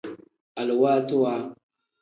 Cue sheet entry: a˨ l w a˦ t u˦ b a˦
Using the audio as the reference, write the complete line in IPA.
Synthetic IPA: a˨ l w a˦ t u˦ w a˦